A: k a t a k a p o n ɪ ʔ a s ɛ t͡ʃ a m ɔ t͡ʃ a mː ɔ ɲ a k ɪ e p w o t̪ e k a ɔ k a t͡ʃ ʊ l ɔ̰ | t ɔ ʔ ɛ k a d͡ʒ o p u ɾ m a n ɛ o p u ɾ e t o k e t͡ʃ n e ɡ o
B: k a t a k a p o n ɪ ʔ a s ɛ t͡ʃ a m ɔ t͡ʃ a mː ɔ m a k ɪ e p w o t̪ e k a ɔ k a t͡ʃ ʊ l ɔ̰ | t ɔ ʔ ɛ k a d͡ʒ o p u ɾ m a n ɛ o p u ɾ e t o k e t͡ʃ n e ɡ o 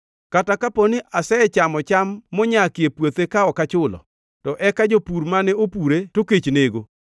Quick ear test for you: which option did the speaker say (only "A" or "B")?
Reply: A